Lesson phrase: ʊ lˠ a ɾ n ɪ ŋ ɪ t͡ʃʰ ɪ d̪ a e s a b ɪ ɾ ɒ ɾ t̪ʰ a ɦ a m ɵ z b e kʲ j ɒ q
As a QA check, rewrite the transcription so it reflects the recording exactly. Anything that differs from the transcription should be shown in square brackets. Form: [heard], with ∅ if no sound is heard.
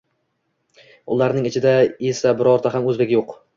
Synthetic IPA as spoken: ʊ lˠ a ɾ n ɪ ŋ ɪ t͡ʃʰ ɪ d̪ a e s a b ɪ ɾ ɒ ɾ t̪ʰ a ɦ a m ɵ z b e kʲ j [o] q